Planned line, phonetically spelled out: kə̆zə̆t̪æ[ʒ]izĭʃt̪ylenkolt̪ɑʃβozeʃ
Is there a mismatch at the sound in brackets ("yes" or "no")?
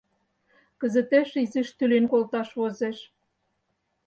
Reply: yes